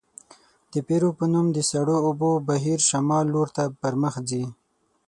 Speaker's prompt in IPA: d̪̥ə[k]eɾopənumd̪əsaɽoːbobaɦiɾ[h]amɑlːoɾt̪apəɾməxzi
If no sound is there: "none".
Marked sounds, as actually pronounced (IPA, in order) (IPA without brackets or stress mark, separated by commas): p, ʃ